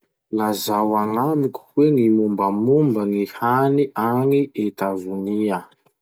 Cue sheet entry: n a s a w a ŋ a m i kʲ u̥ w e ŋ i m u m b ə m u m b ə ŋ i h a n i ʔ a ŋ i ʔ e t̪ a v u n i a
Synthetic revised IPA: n a z a w a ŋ a m i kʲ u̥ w e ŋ i m u m b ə m u m b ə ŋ i h a n i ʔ a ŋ i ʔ e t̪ a v u n i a

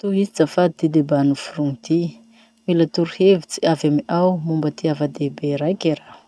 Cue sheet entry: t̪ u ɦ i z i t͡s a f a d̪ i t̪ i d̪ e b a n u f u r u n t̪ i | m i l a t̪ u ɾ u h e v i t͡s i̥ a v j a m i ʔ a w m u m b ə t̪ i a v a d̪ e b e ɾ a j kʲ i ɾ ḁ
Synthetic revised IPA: t̪ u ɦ i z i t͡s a f a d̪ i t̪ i d̪ e b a n u f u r u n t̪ i | m i l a t̪ u ɾ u h e v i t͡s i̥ a v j a m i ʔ a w m u m b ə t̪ i a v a d̪ e b e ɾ a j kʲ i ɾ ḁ

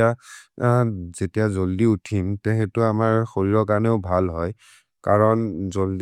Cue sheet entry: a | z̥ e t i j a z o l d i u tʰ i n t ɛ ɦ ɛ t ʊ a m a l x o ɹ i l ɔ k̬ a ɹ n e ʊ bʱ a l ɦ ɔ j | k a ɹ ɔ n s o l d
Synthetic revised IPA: a | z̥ e t i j a z o l d i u tʰ i m t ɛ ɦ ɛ t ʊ a m a ɹ x o ɹ i ɹ ɔ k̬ a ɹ n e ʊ bʱ a l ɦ ɔ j | k a ɹ ɔ n z o l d

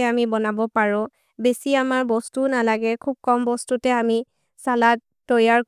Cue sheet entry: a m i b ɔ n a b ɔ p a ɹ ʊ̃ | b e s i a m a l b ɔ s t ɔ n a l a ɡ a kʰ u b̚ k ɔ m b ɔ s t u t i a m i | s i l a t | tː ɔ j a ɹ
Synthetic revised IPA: a m i b ɔ n a b ɔ p a ɹ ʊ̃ | b e s i a m a ɹ b ɔ s t u n a l a ɡ ɛ kʰ u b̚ k ɔ m b ɔ s t u t ɛ a m i | s a l a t | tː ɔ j a ɹ

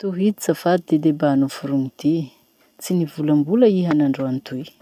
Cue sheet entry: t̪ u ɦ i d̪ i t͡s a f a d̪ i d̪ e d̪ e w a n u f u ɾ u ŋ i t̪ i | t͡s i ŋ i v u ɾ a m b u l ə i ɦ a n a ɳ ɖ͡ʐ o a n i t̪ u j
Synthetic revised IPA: t̪ u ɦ i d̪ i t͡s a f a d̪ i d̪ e d̪ e b a n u f u ɾ u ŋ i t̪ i | t͡s i n i v u l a m b u l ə i ɦ a n a ɳ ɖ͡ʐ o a n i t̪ u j

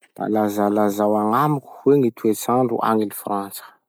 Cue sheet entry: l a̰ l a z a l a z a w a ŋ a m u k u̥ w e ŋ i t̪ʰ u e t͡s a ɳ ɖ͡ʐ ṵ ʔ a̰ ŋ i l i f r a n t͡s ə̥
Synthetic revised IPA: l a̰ l a z a l a z a w a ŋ a m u k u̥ w e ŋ i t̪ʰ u e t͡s a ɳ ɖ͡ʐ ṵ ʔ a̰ ŋ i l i f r a n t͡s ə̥

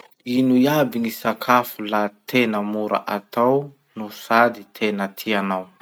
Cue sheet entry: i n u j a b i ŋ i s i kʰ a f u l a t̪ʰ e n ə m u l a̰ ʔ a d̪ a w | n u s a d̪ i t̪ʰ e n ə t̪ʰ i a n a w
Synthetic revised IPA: i n u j a b i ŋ i s a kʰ a f u l a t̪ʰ e n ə m u ɾ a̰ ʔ a t̪ a w | n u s a d̪ i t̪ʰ e n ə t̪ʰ i a n a w

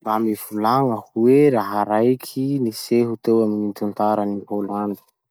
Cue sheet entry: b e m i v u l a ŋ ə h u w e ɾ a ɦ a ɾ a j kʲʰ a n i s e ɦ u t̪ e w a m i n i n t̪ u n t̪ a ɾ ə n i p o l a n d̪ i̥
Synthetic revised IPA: b a m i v u l a ŋ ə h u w e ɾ a ɦ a ɾ a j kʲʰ i n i s e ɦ u t̪ e w a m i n i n t̪ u n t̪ a ɾ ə n i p o l a n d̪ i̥

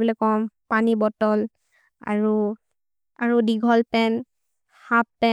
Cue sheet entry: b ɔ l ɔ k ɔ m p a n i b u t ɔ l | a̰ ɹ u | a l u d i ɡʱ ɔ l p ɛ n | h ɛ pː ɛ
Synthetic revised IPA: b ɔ l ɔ k ɔ m p a n i b ɔ t ɔ l | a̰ ɹ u | a ɹ u d i ɡʱ ɔ l p ɛ n | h a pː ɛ

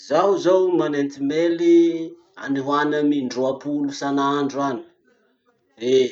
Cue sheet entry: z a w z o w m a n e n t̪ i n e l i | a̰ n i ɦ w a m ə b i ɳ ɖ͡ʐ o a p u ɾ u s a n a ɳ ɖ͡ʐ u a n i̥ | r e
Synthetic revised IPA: z a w z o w m a n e n t̪ i m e l i | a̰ n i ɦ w a n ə m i ɳ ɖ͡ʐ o a p u l u s a n a ɳ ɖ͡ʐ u a n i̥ | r e

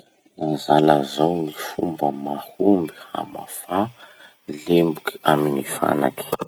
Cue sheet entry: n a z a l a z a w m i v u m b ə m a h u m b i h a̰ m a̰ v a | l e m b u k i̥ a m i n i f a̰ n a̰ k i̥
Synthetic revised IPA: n a z a l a z a w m i f u m b ə m a h u m b i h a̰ m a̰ f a | l e m b u k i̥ a m i n i f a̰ n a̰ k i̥

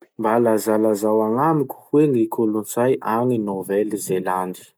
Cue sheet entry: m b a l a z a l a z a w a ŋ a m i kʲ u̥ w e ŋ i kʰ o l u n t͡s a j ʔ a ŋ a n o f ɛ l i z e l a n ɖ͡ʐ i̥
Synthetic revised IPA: m b a l a z a l a z a w a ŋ a m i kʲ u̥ w e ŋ i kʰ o l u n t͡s a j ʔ a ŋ i n o v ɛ l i z e l a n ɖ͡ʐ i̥

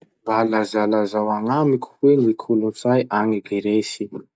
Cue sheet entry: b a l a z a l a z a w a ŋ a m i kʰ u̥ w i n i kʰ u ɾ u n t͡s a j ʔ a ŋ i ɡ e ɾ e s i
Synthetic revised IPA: b a l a z a l a z a w a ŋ a m i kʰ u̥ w e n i kʰ u l u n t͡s a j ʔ a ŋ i ɡ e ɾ e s i

